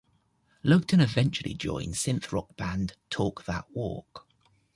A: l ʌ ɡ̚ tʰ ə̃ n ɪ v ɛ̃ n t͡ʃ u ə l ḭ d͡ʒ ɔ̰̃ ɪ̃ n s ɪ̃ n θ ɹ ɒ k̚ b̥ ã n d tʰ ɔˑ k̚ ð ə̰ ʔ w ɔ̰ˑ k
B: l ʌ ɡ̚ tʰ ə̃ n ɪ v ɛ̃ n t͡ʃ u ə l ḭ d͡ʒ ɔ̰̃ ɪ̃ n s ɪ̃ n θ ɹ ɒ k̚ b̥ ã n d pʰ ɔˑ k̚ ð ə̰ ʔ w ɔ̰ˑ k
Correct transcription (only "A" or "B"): A